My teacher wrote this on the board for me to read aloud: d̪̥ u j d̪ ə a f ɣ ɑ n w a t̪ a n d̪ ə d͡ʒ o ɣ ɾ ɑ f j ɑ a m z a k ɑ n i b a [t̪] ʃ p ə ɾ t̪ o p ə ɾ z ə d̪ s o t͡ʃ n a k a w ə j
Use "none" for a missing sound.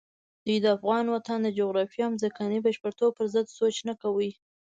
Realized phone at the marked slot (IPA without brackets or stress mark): none